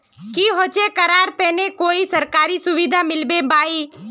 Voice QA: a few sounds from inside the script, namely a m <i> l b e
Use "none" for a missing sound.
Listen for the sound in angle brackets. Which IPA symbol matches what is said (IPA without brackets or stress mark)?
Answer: ɪ